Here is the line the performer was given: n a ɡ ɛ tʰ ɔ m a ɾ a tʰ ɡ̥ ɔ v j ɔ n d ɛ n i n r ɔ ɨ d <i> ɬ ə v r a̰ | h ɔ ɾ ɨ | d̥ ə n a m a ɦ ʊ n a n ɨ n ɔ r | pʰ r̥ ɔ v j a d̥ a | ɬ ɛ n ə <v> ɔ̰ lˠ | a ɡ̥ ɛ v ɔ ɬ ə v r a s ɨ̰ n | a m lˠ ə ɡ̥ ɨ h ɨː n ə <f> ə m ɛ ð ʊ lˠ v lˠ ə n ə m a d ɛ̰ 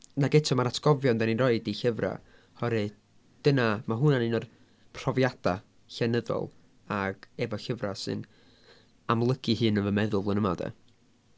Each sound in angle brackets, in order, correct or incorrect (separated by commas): correct, incorrect, incorrect